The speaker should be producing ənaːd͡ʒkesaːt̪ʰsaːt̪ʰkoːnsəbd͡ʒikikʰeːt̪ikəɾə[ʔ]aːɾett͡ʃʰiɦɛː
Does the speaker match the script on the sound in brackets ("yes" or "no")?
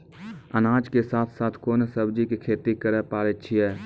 no